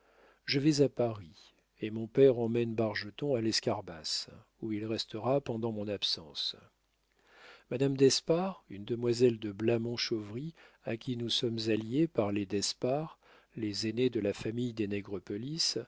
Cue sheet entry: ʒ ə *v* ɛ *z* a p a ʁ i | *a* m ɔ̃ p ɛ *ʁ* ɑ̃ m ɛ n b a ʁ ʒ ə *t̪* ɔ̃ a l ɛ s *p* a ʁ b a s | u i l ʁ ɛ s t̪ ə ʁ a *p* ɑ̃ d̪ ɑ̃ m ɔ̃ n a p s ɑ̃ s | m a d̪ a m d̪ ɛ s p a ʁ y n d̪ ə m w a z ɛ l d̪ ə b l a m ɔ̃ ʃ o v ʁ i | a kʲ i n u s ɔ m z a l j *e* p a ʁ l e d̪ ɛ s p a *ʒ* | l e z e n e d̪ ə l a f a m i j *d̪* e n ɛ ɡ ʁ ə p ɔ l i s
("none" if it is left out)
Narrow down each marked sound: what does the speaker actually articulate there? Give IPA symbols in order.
v, z, e, ʁ, t̪, k, p, e, ʁ, d̪

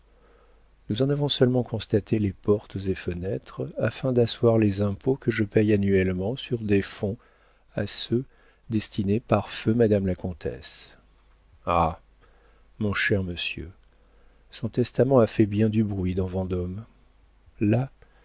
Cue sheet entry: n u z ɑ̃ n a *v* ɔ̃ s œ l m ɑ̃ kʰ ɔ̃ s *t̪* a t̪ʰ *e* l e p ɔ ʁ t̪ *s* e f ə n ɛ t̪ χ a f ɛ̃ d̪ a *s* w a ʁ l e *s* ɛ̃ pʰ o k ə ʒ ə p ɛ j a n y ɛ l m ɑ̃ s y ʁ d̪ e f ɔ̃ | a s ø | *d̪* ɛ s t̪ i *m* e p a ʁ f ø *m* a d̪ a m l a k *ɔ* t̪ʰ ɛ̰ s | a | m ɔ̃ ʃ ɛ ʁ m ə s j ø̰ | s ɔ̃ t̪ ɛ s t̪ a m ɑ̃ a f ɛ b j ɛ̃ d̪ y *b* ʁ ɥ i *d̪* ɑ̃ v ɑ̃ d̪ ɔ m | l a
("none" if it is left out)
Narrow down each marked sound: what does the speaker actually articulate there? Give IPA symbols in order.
v, t̪, e, z, s, z, d̪, n, m, ɔ̃, b, d̪

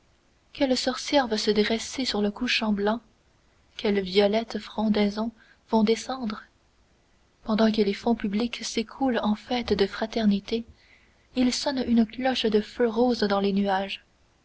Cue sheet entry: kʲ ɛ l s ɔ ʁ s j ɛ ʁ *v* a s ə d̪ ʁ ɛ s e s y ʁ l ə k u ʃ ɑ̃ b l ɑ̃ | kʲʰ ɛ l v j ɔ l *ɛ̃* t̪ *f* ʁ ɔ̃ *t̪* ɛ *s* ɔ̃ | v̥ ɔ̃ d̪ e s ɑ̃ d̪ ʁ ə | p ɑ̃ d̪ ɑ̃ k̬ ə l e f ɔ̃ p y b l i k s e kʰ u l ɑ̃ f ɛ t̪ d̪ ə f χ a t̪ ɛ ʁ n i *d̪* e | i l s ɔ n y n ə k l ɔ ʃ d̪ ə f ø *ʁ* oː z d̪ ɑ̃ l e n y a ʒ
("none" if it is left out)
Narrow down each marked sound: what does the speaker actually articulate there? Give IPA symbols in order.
v, ɛ, f, d̪, z, t̪, ʁ

